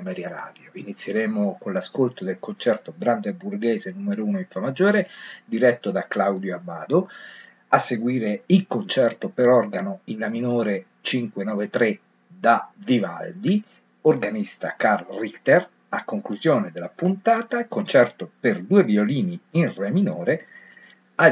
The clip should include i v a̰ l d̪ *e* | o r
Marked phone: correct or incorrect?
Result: incorrect